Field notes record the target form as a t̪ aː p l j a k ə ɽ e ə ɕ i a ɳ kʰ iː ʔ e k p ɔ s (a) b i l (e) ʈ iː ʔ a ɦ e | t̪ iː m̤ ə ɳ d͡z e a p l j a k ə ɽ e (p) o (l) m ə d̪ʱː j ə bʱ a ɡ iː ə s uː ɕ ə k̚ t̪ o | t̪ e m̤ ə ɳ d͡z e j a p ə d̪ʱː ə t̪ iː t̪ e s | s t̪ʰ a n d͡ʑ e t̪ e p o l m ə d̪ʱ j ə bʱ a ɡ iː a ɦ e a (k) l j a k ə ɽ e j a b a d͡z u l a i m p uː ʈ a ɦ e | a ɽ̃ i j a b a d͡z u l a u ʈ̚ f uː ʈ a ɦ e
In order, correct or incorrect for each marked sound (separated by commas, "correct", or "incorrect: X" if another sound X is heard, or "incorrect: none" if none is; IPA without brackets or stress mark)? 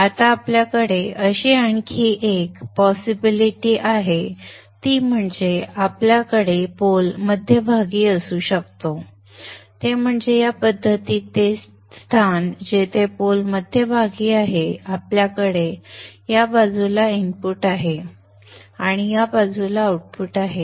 incorrect: i, incorrect: i, correct, correct, incorrect: p